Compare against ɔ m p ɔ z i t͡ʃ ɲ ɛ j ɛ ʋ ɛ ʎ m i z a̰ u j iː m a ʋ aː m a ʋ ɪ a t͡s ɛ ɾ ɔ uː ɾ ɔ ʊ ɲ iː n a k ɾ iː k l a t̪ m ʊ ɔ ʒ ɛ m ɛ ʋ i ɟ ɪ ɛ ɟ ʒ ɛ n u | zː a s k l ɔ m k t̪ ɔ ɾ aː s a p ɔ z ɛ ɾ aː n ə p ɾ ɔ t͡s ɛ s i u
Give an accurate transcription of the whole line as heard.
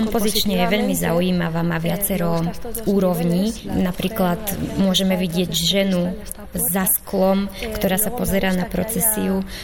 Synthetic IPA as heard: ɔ m p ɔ z i t͡ʃ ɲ ɛ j ɛ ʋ ɛ ʎ m i z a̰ u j iː m a ʋ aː m a ʋ ɪ a t͡s ɛ ɾ ɔ uː ɾ ɔ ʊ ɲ iː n a p ɾ iː k l a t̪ m ʊ ɔ ʒ ɛ m ɛ ʋ i ɟ ɪ ɛ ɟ ʒ ɛ n u | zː a s k l ɔ m k t̪ ɔ ɾ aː s a p ɔ z ɛ ɾ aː n a p ɾ ɔ t͡s ɛ s i u